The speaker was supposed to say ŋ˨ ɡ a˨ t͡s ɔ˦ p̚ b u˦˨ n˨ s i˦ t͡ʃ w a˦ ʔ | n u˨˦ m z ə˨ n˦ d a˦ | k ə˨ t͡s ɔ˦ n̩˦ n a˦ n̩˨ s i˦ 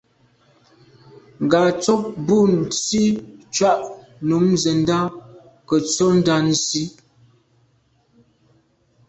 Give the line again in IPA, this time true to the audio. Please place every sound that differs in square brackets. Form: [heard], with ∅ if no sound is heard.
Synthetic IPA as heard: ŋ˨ ɡ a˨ t͡s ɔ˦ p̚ b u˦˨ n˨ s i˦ t͡ʃ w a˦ ʔ | n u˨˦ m z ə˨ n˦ d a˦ | k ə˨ t͡s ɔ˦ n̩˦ [d] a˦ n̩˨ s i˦